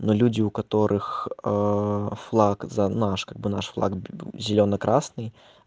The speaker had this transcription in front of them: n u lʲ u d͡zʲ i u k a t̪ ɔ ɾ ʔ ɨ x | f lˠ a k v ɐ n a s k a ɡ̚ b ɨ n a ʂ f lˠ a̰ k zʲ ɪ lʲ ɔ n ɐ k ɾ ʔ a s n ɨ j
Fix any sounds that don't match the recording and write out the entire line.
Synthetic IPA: n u lʲ u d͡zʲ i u k a t̪ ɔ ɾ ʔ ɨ x | f lˠ a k z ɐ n a ʂ k a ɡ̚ b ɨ n a ʂ f lˠ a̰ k zʲ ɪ lʲ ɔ n ɐ k ɾ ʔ a s n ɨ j